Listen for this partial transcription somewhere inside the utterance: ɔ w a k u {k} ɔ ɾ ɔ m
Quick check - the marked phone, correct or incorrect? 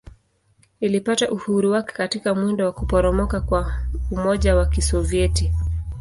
incorrect